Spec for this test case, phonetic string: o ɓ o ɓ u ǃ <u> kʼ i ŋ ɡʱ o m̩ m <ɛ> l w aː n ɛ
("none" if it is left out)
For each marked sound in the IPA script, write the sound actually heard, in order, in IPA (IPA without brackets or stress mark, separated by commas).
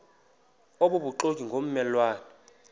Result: o, ɛ